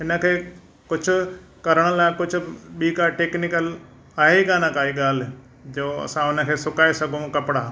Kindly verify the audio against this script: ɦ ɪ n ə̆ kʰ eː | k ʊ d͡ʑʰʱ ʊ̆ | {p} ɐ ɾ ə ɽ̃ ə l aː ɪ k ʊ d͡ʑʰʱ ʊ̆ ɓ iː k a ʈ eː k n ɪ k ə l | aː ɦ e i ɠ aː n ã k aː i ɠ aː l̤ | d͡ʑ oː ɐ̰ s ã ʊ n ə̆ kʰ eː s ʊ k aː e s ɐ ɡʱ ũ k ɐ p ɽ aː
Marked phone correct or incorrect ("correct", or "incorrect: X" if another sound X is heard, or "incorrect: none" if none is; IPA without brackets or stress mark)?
incorrect: k